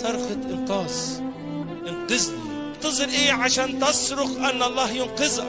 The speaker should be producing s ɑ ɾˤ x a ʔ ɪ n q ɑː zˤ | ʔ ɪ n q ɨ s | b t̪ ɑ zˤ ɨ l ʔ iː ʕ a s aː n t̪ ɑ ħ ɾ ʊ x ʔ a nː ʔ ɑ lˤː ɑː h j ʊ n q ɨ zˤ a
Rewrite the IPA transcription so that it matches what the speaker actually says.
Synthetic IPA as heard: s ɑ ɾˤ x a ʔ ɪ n q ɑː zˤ | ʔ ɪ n q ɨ z | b t̪ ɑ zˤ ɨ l ʔ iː ʕ a ʃ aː n t̪ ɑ s ɾ ʊ x ʔ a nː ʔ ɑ lˤː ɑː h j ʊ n q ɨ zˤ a